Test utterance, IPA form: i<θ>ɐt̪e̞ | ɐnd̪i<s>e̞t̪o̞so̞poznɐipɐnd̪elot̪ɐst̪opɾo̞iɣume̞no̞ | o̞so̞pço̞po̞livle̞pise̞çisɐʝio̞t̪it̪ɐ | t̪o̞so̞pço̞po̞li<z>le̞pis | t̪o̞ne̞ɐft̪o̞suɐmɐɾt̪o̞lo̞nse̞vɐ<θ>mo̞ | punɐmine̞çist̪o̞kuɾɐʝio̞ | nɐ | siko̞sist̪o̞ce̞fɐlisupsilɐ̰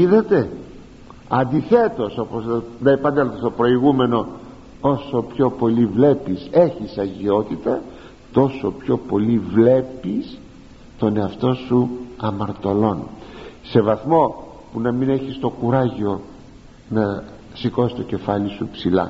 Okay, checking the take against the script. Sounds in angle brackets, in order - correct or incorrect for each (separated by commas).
incorrect, incorrect, incorrect, correct